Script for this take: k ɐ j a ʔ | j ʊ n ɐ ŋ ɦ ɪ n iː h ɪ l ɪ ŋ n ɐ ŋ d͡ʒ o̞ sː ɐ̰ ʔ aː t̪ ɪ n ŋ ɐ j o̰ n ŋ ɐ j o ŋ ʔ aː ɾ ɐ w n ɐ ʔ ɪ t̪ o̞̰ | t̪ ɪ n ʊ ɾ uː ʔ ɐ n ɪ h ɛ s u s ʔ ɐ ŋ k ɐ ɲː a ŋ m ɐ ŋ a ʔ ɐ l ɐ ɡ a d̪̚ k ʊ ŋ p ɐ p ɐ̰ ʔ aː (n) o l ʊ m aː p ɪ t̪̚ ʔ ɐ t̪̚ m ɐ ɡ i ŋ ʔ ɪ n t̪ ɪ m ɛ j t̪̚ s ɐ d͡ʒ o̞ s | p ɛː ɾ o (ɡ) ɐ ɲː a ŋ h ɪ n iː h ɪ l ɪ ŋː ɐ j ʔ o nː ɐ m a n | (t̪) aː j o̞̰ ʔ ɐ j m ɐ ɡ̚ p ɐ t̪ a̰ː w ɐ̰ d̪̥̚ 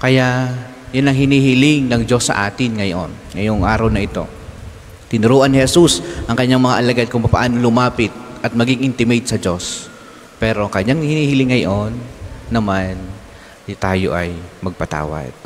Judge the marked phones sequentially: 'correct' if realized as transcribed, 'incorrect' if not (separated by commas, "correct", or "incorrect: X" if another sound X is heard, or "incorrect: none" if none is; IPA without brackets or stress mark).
correct, incorrect: k, correct